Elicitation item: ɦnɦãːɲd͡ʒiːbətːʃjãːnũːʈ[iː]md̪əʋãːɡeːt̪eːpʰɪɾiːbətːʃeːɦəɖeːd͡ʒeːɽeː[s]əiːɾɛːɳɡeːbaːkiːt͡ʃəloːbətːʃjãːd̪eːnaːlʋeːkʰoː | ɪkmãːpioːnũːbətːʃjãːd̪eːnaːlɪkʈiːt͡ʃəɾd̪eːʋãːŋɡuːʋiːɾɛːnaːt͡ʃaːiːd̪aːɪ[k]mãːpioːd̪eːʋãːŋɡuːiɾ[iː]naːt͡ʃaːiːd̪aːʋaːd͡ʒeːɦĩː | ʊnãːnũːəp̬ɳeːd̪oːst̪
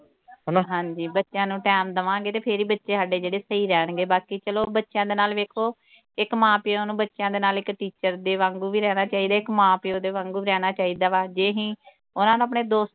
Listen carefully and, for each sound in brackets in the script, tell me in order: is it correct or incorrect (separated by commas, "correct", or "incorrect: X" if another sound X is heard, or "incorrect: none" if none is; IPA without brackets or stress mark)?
incorrect: ɛː, correct, correct, incorrect: ɛː